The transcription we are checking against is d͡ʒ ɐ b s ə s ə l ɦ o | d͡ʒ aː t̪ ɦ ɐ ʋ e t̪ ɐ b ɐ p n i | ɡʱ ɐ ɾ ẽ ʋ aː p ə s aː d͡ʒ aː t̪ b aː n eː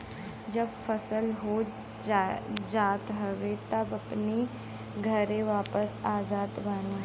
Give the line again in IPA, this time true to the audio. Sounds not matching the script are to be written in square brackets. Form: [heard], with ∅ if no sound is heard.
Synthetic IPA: d͡ʒ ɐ b [f] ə s ə l ɦ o | d͡ʒ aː t̪ ɦ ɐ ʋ e t̪ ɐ b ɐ p n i | ɡʱ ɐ ɾ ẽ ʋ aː p ə s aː d͡ʒ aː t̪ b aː n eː